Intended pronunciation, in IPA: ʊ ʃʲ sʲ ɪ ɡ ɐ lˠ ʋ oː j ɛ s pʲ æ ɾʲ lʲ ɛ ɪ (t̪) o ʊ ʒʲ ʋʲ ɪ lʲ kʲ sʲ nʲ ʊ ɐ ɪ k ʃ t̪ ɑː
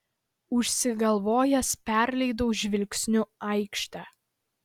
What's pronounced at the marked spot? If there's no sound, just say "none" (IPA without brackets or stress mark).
d̪